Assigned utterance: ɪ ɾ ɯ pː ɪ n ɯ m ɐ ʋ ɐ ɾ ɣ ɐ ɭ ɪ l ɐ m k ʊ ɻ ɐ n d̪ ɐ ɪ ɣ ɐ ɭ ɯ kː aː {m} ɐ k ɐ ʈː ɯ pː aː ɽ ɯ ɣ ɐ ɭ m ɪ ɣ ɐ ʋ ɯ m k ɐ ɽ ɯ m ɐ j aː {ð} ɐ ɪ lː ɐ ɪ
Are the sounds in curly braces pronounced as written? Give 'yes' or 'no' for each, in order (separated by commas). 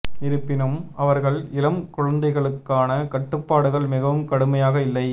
no, no